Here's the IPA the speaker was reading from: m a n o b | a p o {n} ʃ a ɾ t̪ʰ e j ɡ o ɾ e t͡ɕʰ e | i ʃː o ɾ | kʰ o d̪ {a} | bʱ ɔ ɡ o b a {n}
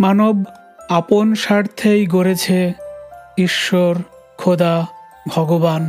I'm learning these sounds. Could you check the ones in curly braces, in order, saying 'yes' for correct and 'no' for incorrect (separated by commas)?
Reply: yes, yes, yes